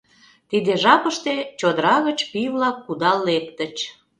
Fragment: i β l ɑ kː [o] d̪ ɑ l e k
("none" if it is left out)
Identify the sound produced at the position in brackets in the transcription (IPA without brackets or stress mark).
u